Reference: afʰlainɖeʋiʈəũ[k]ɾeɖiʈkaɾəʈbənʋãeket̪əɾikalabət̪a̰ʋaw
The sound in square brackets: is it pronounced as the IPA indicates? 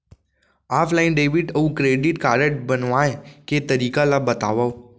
yes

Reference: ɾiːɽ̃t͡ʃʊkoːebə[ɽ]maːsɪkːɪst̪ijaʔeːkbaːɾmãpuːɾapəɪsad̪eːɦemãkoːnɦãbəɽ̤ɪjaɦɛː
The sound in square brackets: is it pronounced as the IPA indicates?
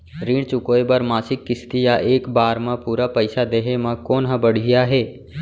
no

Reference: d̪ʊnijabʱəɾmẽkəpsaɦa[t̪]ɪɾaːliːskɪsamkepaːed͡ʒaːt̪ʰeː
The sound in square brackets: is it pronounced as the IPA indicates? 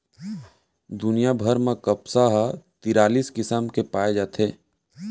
yes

